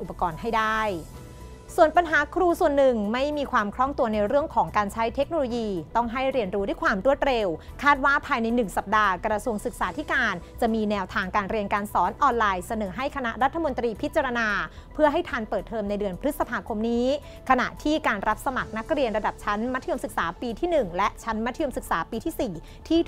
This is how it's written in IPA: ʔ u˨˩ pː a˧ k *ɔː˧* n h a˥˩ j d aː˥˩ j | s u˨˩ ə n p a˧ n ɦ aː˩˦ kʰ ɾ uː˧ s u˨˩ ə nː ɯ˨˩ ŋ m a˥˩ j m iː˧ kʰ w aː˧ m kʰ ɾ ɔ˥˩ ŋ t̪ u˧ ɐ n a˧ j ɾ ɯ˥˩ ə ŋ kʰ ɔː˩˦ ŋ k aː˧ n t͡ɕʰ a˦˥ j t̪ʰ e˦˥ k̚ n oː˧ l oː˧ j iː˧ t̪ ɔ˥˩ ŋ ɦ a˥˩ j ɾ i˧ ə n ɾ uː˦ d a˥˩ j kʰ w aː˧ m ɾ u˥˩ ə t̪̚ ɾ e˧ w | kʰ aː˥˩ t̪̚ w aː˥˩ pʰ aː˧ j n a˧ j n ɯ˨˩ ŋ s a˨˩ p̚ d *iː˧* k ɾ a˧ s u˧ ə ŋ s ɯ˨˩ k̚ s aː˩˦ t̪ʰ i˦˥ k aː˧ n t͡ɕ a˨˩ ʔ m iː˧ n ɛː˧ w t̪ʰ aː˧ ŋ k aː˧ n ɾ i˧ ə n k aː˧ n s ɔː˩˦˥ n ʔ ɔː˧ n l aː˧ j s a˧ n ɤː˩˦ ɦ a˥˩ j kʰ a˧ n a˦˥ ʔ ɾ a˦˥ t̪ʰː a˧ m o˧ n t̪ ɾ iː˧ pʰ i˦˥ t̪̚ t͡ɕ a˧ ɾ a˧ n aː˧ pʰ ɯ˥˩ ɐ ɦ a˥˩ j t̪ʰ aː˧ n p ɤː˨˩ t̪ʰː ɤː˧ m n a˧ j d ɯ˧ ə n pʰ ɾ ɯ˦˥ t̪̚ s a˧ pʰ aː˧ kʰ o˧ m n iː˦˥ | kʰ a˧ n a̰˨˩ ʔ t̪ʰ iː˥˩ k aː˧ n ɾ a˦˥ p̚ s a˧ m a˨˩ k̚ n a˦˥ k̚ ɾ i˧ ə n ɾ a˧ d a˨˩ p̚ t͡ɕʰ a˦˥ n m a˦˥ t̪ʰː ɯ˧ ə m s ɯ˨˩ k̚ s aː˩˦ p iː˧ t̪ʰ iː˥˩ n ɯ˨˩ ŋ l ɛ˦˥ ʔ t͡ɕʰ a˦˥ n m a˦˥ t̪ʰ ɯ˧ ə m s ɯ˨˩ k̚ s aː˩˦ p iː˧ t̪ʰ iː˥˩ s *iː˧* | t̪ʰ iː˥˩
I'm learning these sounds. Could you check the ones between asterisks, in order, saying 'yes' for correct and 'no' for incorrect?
yes, no, no

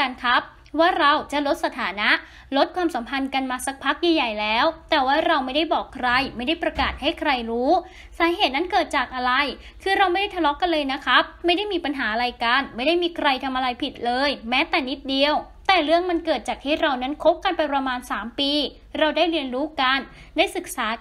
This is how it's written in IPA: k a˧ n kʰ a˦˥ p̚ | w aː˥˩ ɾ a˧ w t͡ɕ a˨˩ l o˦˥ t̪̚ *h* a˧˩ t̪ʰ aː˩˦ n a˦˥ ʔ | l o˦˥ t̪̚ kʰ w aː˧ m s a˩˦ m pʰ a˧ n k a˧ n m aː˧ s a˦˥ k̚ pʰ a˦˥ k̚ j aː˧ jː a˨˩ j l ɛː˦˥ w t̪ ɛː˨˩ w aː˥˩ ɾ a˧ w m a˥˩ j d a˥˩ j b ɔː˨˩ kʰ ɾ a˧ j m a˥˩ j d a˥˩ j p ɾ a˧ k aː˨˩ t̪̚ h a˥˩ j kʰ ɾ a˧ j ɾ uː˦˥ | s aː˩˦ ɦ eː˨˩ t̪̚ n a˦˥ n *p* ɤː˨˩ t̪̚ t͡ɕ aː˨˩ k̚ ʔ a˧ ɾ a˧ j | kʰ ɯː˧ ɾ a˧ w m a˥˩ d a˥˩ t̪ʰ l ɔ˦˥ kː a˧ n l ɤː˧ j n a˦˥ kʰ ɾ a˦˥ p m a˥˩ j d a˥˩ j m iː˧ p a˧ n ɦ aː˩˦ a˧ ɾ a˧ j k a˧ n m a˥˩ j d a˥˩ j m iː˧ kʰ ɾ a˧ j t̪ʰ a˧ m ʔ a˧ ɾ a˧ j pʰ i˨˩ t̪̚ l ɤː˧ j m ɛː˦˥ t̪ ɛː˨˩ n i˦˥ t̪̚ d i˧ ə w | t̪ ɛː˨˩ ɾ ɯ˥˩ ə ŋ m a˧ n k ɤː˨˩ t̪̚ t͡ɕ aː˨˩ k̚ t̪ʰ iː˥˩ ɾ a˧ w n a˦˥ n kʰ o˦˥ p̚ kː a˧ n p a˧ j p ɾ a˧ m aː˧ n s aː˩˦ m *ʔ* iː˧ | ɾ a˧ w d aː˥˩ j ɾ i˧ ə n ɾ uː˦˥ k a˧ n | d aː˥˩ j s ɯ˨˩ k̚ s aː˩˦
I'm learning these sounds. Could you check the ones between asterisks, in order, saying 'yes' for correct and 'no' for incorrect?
no, no, no

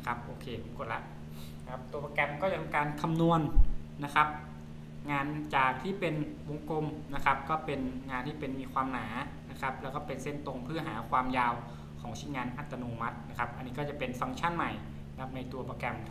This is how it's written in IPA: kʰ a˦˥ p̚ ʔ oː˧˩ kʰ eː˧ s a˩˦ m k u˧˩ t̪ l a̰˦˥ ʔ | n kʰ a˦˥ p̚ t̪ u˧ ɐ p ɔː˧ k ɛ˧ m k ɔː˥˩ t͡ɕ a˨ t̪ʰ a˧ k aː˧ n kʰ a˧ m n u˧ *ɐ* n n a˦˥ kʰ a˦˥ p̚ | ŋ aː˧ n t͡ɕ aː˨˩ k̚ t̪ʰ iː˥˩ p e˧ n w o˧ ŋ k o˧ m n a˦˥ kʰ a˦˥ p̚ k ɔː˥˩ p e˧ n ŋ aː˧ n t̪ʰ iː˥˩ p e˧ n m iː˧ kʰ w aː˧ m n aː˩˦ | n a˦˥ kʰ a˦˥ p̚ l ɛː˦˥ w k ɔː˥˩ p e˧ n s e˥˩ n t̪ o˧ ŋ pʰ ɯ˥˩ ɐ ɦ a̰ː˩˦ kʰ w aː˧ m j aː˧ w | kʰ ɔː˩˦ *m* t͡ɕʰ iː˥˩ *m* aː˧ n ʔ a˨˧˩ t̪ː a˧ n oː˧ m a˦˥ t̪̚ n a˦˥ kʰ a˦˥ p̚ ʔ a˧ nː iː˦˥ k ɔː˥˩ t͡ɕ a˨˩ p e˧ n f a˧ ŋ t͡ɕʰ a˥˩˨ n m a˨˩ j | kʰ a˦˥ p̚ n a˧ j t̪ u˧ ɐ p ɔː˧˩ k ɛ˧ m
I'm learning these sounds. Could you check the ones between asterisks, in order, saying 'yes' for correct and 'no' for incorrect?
no, no, no

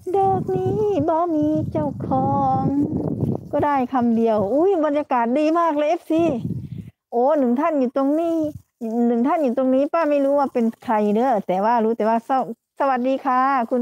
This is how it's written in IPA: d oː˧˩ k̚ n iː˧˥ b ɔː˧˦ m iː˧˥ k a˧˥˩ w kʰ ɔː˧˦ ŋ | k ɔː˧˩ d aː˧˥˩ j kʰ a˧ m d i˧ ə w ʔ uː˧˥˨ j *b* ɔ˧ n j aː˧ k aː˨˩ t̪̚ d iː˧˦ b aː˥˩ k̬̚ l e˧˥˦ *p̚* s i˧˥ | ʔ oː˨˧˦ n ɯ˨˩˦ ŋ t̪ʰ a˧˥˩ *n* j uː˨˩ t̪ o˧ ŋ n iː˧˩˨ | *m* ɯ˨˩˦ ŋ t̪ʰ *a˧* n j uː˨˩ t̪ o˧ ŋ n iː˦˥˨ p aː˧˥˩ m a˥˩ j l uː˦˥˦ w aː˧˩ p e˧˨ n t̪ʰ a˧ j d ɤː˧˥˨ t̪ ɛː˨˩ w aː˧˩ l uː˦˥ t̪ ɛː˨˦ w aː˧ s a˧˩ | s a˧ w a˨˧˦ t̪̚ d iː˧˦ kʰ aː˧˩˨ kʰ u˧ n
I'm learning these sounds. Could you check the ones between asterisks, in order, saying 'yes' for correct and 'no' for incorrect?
yes, yes, yes, no, no

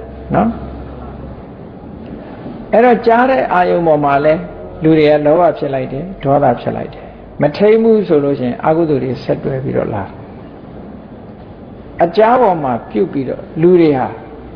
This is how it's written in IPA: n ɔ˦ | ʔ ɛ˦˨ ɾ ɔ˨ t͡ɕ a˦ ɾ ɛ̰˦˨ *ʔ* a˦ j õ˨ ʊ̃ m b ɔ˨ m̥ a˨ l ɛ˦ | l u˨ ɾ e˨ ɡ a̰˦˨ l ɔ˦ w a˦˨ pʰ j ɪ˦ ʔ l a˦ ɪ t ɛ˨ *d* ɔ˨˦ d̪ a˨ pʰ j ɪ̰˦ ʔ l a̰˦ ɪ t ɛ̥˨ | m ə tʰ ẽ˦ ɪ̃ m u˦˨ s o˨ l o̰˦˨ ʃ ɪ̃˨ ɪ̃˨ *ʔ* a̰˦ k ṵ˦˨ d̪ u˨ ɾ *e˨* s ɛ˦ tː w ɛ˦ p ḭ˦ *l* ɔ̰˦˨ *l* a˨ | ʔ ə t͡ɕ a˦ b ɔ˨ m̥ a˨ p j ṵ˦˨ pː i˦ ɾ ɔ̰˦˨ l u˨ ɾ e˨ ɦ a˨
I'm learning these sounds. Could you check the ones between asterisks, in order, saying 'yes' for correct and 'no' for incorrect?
yes, yes, yes, yes, no, yes

